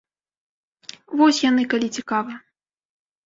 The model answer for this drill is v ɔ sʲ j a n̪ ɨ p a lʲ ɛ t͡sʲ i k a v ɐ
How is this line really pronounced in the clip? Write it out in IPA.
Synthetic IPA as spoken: v ɔ sʲ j a n̪ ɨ k a lʲ i t͡sʲ i k a v ɐ

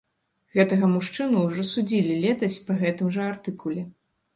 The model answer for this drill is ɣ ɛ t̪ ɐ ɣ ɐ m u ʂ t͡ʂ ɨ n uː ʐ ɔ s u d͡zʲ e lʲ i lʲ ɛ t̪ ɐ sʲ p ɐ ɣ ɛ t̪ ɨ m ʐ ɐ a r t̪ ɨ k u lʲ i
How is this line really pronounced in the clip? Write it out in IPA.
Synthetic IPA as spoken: ɣ ɛ t̪ ɐ ɣ ɐ m u ʂ t͡ʂ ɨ n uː ʐ ɔ s u d͡zʲ i lʲ i lʲ ɛ t̪ ɐ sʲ p ɐ ɣ ɛ t̪ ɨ m ʐ ɐ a r t̪ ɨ k u lʲ ɛ

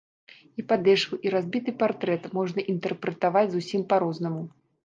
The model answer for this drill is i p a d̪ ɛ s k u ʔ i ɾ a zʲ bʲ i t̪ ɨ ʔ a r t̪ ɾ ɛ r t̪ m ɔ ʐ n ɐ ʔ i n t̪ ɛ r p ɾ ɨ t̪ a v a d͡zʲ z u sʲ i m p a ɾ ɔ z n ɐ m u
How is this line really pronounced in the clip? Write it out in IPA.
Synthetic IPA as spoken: i p a d̪ ɛ ʂ k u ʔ i ɾ a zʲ bʲ i t̪ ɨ p a r t̪ ɾ ɛ t̪ m ɔ ʐ n ɐ ʔ i n t̪ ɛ r p ɾ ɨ t̪ a v a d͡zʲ z u sʲ i m p a ɾ ɔ z n ɐ m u

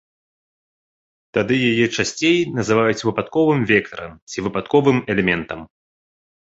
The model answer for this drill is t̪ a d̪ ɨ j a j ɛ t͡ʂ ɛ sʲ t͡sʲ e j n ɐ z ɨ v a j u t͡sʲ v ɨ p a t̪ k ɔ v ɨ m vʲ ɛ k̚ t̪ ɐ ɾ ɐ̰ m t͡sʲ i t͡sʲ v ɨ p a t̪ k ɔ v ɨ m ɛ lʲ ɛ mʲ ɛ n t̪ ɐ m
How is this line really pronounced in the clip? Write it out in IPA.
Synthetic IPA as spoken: t̪ a d̪ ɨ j a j ɛ t͡ʂ a sʲ t͡sʲ e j n ɐ z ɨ v a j u t͡sʲ v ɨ p a t̪ k ɔ v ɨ m vʲ ɛ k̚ t̪ ɐ ɾ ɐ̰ m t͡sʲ i v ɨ p a t̪ k ɔ v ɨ m ɛ lʲ ɛ mʲ ɛ n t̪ ɐ m

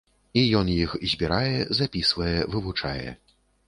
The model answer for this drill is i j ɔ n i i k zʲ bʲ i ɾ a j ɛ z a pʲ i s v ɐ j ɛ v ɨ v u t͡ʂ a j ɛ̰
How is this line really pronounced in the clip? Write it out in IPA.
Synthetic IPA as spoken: i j ɔ n j i x zʲ bʲ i ɾ a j ɛ z a pʲ i s v ɐ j ɛ v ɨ v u t͡ʂ a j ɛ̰

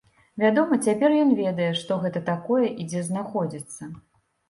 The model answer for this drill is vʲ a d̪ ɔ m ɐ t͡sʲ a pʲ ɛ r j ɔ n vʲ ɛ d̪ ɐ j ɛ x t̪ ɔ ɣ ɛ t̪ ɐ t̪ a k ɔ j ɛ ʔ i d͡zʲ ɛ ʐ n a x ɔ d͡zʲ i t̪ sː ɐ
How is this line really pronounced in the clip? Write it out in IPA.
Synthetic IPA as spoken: vʲ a d̪ ɔ m ɐ t͡sʲ a pʲ ɛ r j ɔ n vʲ ɛ d̪ ɐ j ɛ ʂ t̪ ɔ ɣ ɛ t̪ ɐ t̪ a k ɔ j ɛ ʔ i d͡zʲ ɛ z n a x ɔ d͡zʲ i t̪ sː ɐ

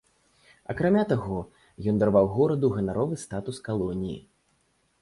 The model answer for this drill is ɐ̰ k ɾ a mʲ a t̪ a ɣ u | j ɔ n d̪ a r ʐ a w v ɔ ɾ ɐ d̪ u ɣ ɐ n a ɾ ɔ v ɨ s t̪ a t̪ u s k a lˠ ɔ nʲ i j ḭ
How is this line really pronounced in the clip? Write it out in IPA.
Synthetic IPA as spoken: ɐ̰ k ɾ a mʲ a t̪ a ɣ ɔ | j ɔ n d̪ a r v a w ɣ ɔ ɾ ɐ d̪ u ɣ ɐ n a ɾ ɔ v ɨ s t̪ a t̪ u s k a lˠ ɔ nʲ i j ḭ

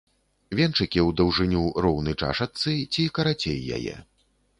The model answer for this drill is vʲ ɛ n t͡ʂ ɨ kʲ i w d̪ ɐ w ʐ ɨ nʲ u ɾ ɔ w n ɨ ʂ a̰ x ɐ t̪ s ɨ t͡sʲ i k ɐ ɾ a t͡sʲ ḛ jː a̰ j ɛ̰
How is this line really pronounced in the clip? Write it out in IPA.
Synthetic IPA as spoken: vʲ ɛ n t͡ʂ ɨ kʲ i w d̪ ɐ w ʐ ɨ nʲ u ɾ ɔ w n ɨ t͡ʂ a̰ ʂ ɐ t̪ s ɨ t͡sʲ i k ɐ ɾ a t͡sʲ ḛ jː a̰ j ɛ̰

